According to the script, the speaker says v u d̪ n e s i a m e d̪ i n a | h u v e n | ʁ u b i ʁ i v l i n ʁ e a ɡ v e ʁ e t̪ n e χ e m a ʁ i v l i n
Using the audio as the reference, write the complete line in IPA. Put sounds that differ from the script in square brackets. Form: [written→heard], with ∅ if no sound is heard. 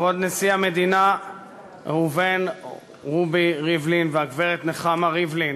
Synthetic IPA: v [u→o] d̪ n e s i a m e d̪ i n a | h u v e n | ʁ u b i ʁ i v l i n [ʁ→v] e a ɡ v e ʁ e t̪ n e χ [e→a] m a ʁ i v l i n

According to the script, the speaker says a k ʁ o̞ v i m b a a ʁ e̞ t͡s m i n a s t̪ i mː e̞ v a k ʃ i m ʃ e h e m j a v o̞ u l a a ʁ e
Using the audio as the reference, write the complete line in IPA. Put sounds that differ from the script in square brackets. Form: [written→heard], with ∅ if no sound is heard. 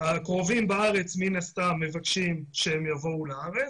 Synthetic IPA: a k ʁ o̞ v i m b a a ʁ e̞ t͡s m i n a s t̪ [i→a] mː e̞ v a k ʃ i m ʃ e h e m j a v o̞ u l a a ʁ e

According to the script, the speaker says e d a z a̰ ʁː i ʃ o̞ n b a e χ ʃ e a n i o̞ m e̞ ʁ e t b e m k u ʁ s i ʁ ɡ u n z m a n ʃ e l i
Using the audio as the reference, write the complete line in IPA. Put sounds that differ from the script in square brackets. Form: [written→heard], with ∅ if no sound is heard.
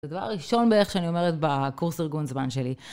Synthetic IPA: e d a [z→v] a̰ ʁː i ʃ o̞ n b [a→e] e χ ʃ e a n i o̞ m e̞ ʁ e t b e [m→∅] k u ʁ s i ʁ ɡ u n z m a n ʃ e l i

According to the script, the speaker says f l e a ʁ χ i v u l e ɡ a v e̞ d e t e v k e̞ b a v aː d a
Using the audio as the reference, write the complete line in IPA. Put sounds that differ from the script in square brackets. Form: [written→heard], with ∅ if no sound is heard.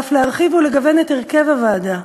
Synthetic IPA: f l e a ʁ χ i v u l e ɡ a v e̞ [d→n] e t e [v→ʁ] k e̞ [b→v] a v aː d a

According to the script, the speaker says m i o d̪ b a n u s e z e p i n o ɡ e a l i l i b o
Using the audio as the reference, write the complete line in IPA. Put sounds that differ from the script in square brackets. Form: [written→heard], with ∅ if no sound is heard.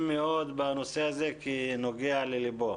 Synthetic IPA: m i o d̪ b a n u s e z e [p→k] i n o ɡ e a l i l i b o

